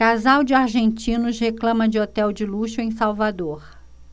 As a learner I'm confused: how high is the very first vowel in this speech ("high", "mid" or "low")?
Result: low